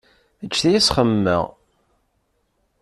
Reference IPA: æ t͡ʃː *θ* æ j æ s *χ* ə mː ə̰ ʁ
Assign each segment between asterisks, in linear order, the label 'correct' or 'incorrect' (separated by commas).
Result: correct, correct